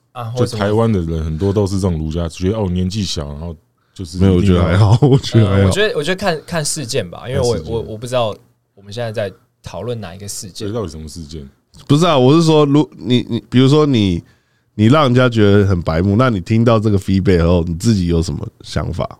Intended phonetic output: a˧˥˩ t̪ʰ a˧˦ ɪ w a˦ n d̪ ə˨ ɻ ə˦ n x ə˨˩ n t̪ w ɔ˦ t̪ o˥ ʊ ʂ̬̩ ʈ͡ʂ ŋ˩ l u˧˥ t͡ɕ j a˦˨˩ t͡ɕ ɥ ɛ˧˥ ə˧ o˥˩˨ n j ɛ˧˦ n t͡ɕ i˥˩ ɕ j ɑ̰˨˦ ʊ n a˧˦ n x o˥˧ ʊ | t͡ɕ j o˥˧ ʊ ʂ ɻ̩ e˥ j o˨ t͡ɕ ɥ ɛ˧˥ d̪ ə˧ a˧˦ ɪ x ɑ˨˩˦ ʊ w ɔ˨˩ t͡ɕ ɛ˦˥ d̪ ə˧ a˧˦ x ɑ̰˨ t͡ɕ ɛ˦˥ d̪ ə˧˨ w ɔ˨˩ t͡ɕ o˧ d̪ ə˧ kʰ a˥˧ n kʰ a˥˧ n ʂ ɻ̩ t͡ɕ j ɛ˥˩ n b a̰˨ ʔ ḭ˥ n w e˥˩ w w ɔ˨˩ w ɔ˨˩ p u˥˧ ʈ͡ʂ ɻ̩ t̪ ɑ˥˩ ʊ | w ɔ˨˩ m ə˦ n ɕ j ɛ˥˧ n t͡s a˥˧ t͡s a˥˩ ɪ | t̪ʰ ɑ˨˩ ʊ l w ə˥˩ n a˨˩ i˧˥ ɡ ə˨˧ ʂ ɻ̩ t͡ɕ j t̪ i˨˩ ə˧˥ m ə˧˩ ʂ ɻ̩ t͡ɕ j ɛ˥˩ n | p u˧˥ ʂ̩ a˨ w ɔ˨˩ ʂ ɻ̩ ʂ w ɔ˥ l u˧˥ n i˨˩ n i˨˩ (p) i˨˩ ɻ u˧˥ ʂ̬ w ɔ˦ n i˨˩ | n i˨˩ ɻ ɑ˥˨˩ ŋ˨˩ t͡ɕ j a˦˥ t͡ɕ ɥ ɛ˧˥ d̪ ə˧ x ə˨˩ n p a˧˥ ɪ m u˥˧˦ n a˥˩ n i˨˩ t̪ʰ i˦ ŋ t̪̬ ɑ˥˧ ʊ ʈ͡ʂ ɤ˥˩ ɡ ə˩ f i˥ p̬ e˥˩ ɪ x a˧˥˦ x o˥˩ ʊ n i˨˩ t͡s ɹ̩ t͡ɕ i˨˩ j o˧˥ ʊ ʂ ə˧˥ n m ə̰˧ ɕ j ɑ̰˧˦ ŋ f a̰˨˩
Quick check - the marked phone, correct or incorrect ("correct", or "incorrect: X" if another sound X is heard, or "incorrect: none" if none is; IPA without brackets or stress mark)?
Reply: correct